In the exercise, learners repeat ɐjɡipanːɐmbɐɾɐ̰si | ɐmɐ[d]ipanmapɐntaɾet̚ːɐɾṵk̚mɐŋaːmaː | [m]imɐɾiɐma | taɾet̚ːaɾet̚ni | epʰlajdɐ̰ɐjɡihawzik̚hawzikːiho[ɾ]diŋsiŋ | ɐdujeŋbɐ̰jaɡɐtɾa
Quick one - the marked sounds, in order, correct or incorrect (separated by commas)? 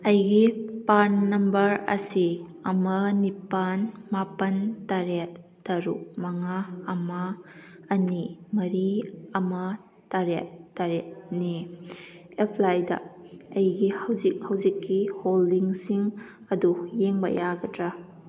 incorrect, incorrect, incorrect